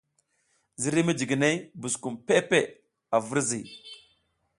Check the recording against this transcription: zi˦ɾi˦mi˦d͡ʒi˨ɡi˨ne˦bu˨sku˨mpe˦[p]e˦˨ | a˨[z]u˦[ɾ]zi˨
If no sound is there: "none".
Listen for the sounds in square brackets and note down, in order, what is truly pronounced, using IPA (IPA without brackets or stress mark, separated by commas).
p, v, ɾ